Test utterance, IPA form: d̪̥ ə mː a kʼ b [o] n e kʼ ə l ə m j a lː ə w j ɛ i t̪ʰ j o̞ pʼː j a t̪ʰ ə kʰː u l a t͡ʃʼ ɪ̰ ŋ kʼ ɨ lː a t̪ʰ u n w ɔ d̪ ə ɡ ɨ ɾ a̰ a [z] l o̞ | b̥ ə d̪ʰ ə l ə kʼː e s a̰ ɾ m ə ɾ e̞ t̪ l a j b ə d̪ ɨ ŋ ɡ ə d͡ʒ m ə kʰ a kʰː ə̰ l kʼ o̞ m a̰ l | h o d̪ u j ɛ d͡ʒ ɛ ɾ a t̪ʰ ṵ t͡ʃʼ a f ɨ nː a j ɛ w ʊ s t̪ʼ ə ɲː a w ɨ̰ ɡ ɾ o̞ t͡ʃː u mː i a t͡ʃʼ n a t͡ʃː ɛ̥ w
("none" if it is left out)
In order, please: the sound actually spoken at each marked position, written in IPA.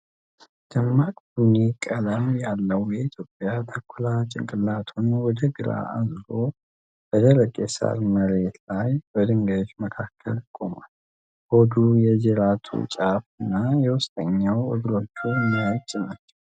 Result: u, z

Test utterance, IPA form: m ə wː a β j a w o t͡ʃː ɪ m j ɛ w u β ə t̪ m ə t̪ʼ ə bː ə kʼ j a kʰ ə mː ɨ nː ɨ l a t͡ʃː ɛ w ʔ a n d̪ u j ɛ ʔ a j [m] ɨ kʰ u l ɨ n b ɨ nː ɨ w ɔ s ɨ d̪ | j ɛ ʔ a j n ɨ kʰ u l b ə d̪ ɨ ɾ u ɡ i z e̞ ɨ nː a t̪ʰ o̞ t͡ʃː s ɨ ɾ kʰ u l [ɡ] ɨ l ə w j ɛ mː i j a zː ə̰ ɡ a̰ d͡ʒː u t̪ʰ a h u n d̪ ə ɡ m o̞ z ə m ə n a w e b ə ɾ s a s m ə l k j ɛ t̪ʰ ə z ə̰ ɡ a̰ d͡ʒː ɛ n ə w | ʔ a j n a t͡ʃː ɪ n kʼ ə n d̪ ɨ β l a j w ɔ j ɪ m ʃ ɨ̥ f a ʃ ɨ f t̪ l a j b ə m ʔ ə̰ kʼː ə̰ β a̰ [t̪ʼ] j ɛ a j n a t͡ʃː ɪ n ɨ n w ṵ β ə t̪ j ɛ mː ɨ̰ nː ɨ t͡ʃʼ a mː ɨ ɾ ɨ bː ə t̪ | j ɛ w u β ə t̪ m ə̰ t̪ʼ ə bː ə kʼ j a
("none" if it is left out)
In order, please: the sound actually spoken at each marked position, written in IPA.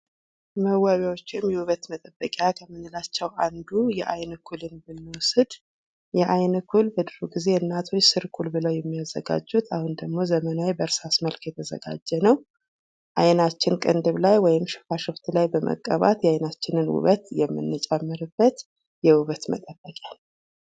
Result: n, b, t̪

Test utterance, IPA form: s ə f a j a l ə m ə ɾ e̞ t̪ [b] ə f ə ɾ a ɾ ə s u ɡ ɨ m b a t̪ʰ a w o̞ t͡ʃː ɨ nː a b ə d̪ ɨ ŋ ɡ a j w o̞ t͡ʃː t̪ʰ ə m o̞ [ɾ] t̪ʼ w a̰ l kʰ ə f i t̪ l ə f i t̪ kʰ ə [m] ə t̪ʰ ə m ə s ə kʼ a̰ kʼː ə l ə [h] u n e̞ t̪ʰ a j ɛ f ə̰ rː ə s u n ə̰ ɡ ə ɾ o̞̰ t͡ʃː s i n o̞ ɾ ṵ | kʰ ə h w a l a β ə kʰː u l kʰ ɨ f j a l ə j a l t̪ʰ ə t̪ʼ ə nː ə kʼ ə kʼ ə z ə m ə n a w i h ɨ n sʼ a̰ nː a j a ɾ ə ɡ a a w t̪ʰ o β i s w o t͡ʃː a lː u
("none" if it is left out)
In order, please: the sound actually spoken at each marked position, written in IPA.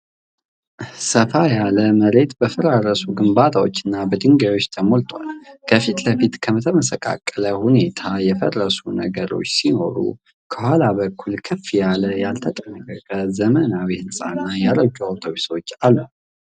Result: b, l, m, h

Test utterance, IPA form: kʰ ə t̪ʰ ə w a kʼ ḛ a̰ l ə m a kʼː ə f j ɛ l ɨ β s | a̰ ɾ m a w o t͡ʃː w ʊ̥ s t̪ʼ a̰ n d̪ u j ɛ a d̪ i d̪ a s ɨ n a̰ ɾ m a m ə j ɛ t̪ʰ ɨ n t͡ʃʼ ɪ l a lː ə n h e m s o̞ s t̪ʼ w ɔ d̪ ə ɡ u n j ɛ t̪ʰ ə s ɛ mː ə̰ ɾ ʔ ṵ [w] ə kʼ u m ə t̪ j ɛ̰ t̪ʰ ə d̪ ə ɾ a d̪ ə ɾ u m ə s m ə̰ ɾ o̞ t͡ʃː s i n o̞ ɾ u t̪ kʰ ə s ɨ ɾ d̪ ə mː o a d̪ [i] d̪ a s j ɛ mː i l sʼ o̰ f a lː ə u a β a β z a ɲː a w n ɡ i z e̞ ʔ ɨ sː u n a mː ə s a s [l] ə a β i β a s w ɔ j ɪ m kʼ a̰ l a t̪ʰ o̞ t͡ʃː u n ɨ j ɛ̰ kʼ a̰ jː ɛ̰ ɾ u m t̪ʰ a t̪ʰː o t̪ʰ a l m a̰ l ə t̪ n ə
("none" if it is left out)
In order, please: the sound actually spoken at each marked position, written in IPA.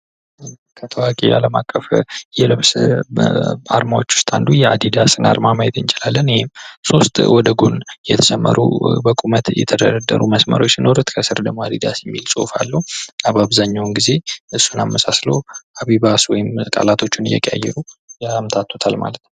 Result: b, i, l

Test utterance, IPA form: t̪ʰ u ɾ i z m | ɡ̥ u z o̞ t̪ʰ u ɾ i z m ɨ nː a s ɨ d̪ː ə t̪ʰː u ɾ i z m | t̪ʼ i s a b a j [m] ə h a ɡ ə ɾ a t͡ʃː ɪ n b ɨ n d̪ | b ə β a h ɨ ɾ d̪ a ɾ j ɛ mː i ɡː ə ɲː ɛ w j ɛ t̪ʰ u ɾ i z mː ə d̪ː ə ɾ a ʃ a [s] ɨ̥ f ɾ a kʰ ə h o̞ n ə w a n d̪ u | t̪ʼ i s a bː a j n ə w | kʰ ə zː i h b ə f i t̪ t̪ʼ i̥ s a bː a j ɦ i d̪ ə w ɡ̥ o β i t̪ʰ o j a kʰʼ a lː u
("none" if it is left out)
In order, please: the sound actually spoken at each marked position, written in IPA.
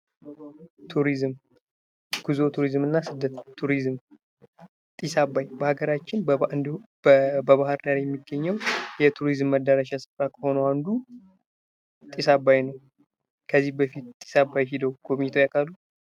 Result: b, s

